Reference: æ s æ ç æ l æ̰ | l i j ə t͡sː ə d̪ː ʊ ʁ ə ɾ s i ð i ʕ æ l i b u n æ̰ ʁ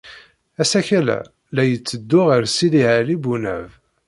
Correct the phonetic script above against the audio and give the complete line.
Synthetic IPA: æ s æ ç æ l æ̰ | l æ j ə t͡sː ə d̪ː ʊ ʁ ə ɾ s i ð i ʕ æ l i b u n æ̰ v

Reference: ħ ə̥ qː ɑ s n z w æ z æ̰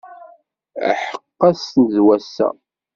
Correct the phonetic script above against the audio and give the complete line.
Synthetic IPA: ħ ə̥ qː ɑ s n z w æ s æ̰

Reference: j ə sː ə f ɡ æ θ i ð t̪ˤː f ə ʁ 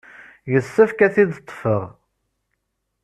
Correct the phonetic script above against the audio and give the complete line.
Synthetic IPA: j ə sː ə f k æ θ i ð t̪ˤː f ə ʁ

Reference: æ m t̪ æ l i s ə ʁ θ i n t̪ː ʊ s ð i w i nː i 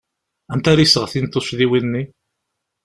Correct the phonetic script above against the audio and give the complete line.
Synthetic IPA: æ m t̪ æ ɾ i s ə ʁ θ i n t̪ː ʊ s ð i w i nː i

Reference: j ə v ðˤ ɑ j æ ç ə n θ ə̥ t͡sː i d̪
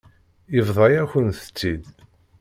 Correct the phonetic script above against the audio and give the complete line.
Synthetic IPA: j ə v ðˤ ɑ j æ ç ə n θ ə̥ t͡sː i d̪

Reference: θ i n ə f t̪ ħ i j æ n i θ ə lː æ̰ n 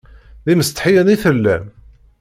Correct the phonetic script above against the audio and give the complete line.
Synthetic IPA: ð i m ə s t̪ ħ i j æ n i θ ə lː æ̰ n

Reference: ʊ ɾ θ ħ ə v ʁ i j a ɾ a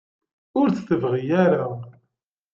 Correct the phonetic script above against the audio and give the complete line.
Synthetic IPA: ʊ ɾ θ θ ə v ʁ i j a ɾ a

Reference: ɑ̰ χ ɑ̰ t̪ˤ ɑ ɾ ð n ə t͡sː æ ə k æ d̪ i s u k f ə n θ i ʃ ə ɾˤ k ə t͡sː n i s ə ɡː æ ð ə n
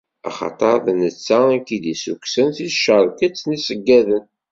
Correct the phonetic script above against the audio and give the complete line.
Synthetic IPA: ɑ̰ χ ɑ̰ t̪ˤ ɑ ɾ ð n ə t͡sː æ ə k i d̪ i s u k s ə n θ i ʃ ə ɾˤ k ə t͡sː n i s ə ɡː æ ð ə n

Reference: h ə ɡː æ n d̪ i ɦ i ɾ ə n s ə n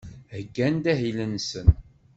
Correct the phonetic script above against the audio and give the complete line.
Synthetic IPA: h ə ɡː æ n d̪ æ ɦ i l ə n s ə n

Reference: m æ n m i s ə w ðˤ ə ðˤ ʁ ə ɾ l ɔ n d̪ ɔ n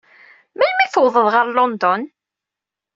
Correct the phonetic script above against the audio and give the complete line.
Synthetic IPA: m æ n m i θ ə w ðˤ ə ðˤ ʁ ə ɾ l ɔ n d̪ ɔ n

